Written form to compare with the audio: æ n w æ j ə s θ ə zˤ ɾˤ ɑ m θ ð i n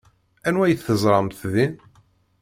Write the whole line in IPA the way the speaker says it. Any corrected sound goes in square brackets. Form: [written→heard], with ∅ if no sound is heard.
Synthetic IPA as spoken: æ n w æ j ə [s→θ] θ ə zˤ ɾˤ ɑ m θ ð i n